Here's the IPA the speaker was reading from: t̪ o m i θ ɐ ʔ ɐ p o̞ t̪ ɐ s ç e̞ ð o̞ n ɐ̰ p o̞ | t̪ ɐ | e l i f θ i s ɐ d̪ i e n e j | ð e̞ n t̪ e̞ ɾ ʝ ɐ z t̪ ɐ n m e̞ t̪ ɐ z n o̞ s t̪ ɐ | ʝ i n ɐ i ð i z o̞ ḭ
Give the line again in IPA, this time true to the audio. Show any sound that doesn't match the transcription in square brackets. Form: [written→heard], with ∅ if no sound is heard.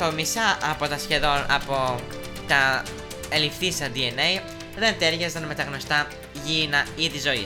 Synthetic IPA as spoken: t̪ o m i [θ→s] ɐ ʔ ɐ p o̞ t̪ ɐ s ç e̞ ð o̞ n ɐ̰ p o̞ | t̪ ɐ | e l i f θ i s ɐ d̪ i e n e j | ð e̞ n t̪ e̞ ɾ ʝ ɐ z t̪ ɐ n m e̞ t̪ ɐ [z→ɣ] n o̞ s t̪ ɐ | ʝ i n ɐ i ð i z o̞ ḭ